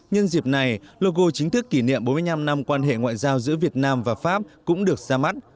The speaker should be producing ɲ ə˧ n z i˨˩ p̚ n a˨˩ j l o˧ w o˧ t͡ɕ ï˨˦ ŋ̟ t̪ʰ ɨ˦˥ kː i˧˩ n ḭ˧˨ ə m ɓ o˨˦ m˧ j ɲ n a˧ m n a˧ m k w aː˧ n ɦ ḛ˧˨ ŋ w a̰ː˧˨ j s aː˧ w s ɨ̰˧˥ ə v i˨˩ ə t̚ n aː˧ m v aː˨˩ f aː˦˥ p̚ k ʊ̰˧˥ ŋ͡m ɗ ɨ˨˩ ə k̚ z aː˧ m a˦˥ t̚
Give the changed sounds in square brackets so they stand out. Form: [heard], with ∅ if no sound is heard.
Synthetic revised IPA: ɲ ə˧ n z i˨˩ p̚ n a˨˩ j l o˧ [ɣ] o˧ t͡ɕ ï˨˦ ŋ̟ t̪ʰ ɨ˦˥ kː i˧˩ n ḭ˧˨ ə m ɓ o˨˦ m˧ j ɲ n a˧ m n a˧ m k w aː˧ n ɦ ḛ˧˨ ŋ w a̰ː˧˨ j [z] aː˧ w [z] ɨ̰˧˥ ə v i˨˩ ə t̚ n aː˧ m v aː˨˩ f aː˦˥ p̚ k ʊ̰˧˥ ŋ͡m ɗ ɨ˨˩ ə k̚ z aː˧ m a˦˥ t̚